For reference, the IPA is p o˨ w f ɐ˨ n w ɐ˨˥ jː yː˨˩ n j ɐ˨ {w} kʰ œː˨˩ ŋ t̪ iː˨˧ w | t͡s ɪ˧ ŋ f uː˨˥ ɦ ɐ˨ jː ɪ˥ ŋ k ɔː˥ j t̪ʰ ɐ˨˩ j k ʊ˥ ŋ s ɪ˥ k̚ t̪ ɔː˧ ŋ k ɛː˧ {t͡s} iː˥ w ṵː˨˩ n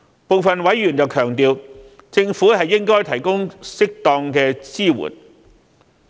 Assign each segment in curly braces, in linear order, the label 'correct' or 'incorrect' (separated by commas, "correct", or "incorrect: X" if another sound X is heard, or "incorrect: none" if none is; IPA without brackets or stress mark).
correct, correct